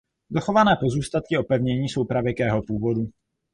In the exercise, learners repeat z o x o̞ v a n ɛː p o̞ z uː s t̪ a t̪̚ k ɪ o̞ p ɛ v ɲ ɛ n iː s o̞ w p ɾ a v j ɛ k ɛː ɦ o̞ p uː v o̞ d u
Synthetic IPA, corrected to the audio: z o x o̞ v a n ɛː p o̞ z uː s t̪ a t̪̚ k ɪ o̞ p ɛ v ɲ ɛ ɲ iː s o̞ w p ɾ a v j ɛ k ɛː ɦ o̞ p uː v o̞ d u